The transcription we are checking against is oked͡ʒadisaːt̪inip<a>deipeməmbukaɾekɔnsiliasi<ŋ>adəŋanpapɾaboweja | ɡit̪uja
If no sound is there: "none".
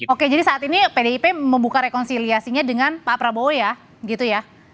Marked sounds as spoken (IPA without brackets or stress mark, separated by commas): e, ɲ